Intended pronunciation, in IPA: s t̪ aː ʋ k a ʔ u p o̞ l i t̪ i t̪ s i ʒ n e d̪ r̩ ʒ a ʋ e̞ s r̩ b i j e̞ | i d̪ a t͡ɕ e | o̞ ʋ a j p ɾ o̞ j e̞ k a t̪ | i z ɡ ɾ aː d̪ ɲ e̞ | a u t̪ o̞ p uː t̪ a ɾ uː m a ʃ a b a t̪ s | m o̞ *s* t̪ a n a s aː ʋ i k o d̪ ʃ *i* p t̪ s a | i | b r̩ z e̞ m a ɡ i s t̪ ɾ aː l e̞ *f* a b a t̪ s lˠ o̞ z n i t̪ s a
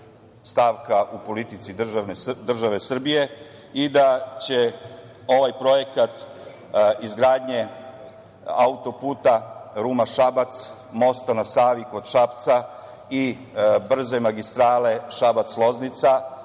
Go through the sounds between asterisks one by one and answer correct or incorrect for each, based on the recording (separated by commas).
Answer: correct, incorrect, incorrect